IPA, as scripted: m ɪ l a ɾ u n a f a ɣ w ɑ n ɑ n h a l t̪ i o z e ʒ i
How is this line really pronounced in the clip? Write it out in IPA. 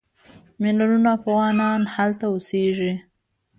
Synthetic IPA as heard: m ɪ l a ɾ u n a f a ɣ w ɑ n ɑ n h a l t̪ a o s e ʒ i